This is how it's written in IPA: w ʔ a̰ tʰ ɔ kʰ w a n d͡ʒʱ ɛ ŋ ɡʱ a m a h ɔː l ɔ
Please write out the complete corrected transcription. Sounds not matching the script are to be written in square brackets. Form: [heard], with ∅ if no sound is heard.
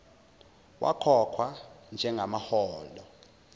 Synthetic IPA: w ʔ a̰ [kʰ] ɔ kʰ w a n d͡ʒʱ ɛ ŋ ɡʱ a m a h ɔː l ɔ